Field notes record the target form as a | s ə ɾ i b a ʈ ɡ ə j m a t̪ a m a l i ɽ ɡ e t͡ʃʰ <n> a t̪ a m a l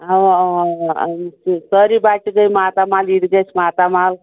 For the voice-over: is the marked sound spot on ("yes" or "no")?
no